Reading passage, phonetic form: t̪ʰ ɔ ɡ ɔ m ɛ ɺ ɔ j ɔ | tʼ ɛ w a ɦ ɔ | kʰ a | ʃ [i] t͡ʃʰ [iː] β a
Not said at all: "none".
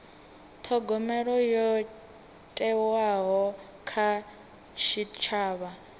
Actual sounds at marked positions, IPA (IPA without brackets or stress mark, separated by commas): i, aː